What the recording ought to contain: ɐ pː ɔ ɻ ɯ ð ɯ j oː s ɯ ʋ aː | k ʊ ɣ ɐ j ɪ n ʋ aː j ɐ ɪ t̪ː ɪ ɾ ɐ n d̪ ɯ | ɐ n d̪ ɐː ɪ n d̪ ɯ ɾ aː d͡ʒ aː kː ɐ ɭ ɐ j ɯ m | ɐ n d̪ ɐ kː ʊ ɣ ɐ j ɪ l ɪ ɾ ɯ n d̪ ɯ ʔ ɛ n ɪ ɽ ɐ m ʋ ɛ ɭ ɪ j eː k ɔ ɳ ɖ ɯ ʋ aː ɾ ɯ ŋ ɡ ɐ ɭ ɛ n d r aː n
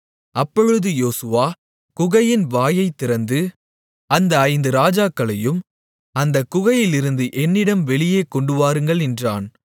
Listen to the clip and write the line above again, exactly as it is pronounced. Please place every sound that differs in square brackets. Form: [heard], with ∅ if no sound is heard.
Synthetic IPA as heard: ɐ pː ɔ ɻ ɯ ð ɯ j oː s ɯ ʋ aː | k ʊ ɣ ɐ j ɪ n ʋ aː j ɐ ɪ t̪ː ɪ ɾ ɐ n d̪ ɯ | ɐ n d̪ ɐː ɪ n d̪ ɯ ɾ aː d͡ʒ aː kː ɐ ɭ ɐ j ɯ m | ɐ n d̪ ɐ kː ʊ ɣ ɐ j ɪ l ɪ ɾ ɯ n d̪ ɯ ʔ ɛ [nː] ɪ ɽ ɐ m ʋ ɛ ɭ ɪ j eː k ɔ ɳ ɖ ɯ ʋ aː ɾ ɯ ŋ ɡ ɐ ɭ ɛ n d r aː n

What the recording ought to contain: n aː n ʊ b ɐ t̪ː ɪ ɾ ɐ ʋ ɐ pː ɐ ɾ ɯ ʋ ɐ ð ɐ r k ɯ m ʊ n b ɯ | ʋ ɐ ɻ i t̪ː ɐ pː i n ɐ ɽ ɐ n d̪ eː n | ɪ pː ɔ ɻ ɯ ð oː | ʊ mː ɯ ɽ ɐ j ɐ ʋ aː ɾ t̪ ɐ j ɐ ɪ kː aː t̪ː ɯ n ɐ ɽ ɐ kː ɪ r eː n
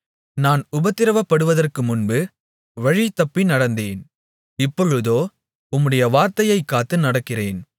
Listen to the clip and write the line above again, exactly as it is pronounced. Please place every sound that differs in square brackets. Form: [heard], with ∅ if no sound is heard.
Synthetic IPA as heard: n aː n ʊ b ɐ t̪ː ɪ ɾ ɐ ʋ ɐ pː ɐ [ɽ] ɯ ʋ ɐ ð ɐ r k ɯ m ʊ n b ɯ | ʋ ɐ ɻ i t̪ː ɐ pː i n ɐ ɽ ɐ n d̪ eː n | ɪ pː ɔ ɻ ɯ ð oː | ʊ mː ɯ ɽ ɐ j ɐ ʋ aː ɾ t̪ ɐ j ɐ ɪ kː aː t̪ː ɯ n ɐ ɽ ɐ kː ɪ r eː n

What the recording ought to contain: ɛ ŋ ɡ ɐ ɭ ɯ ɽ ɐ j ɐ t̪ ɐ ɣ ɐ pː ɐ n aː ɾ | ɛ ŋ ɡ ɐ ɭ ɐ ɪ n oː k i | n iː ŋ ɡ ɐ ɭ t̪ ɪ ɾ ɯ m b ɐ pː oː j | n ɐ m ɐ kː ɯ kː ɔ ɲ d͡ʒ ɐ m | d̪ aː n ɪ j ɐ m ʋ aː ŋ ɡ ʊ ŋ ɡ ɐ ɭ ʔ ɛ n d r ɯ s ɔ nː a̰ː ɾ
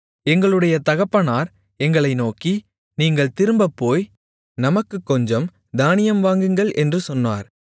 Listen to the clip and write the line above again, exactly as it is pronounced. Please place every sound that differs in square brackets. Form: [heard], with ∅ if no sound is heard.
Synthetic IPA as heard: ɛ ŋ ɡ ɐ ɭ ɯ ɽ ɐ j ɐ t̪ ɐ ɣ ɐ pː ɐ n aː ɾ | ɛ ŋ ɡ ɐ ɭ ɐ ɪ n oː k i | n iː ŋ ɡ ɐ ɭ t̪ ɪ ɾ ɯ m b ɐ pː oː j | n ɐ m ɐ kː ɯ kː ɔ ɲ d͡ʒ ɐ m | d̪ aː n ɪ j ɐ m ʋ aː ŋ ɡ [ɯ] ŋ ɡ ɐ ɭ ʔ ɛ n d r ɯ s ɔ nː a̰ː ɾ

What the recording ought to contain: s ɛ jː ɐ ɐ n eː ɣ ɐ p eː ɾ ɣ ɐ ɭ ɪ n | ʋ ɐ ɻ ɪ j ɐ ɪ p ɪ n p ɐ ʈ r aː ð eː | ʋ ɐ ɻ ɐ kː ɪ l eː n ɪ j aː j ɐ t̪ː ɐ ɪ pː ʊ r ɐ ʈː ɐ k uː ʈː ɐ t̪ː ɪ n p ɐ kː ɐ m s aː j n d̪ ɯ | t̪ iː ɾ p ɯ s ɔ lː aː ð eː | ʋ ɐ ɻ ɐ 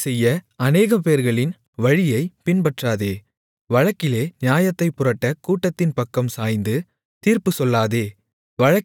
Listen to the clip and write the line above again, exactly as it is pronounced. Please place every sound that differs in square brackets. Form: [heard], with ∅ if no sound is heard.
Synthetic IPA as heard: s ɛ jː ɐ ɐ n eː ɣ ɐ p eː ɾ ɣ ɐ ɭ ɪ n | ʋ ɐ ɻ ɪ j ɐ ɪ p ɪ n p ɐ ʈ r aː ð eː | ʋ ɐ ɻ ɐ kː ɪ l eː n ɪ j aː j ɐ t̪ː ɐ ɪ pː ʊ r ɐ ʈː ɐ k uː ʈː ɐ t̪ː ɪ n p ɐ kː ɐ m s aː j n d̪ ɯ | t̪ iː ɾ p ɯ s ɔ lː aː ð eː | ʋ ɐ ɻ ɐ

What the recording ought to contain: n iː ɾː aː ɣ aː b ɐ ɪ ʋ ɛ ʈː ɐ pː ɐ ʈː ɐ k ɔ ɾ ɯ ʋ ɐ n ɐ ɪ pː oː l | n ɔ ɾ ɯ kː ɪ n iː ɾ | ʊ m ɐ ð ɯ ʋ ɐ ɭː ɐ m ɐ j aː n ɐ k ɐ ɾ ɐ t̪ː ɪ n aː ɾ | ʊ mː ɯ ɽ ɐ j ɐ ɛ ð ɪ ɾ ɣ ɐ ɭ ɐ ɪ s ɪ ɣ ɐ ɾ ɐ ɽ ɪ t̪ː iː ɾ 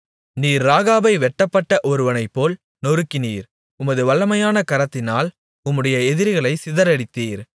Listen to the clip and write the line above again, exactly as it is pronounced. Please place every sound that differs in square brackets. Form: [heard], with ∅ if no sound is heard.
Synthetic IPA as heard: n iː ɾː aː ɣ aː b ɐ ɪ ʋ ɛ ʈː ɐ pː ɐ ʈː ɐ [ʔ] ɔ ɾ ɯ ʋ ɐ n ɐ ɪ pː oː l | n ɔ ɾ ɯ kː ɪ n iː ɾ | ʊ m ɐ ð ɯ ʋ ɐ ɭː ɐ m ɐ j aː n ɐ k ɐ ɾ ɐ t̪ː ɪ n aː [l] | ʊ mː ɯ ɽ ɐ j ɐ ɛ ð ɪ ɾ ɣ ɐ ɭ ɐ ɪ s ɪ [ð] ɐ ɾ ɐ ɽ ɪ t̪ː iː ɾ

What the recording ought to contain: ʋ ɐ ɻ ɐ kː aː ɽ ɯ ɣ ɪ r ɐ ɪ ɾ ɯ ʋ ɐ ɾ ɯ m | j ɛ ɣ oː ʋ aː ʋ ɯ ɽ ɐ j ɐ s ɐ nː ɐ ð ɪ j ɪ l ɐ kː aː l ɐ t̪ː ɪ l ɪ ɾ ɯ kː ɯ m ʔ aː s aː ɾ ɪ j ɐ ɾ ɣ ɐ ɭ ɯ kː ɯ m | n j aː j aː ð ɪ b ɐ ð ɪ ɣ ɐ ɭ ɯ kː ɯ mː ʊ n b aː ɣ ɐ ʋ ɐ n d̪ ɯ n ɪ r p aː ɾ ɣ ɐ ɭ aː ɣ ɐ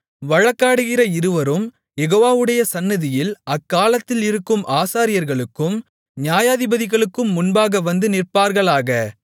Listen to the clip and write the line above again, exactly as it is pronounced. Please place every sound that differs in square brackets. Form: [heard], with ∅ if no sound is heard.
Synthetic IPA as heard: ʋ ɐ ɻ ɐ kː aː ɽ ɯ ɣ ɪ r ɐ ɪ ɾ ɯ ʋ ɐ ɾ ɯ m | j ɛ ɣ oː ʋ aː ʋ ɯ ɽ ɐ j ɐ s ɐ nː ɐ ð ɪ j ɪ l ɐ kː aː l ɐ t̪ː ɪ l ɪ ɾ ɯ kː ɯ m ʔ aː s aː ɾ ɪ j ɐ ɾ ɣ ɐ ɭ ɯ kː ɯ m | n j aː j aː ð ɪ b ɐ ð ɪ ɣ ɐ ɭ ɯ kː ɯ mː ʊ n b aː ɣ ɐ ʋ ɐ n d̪ ɯ n ɪ r p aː ɾ ɣ ɐ ɭ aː ɣ ɐ

